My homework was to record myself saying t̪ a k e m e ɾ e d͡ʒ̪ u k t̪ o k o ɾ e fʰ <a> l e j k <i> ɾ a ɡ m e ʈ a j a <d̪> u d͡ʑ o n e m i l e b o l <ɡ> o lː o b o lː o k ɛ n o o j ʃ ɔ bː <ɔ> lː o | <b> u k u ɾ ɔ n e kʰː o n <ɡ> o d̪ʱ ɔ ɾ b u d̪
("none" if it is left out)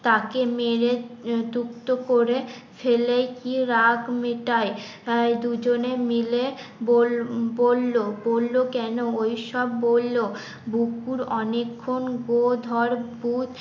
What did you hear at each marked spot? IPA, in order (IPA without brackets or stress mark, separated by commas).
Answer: e, i, d̪, b, o, b, ɡ